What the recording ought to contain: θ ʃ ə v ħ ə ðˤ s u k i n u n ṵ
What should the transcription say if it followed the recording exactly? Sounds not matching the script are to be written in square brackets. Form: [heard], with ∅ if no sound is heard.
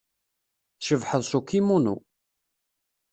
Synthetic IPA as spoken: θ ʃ ə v ħ ə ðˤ s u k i [m] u n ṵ